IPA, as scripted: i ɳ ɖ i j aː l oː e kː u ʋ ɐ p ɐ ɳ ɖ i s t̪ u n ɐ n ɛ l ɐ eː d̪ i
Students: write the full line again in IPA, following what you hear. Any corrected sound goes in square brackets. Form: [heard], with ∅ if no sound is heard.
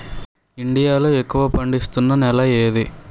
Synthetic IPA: i ɳ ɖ i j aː l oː e kː u ʋ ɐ p ɐ ɳ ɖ i s t̪ u [nː] ɐ n ɛ l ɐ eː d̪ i